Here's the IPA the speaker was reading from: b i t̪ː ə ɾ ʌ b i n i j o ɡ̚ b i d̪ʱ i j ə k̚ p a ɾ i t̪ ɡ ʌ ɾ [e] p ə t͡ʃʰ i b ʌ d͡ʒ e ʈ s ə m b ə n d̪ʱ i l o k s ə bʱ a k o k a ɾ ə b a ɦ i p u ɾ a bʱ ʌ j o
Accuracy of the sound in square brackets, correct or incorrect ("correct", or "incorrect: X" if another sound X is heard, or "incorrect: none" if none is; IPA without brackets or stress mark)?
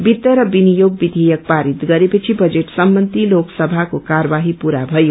correct